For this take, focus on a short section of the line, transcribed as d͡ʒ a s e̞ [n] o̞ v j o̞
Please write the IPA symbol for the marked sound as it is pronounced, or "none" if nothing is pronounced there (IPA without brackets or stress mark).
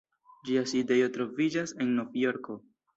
nː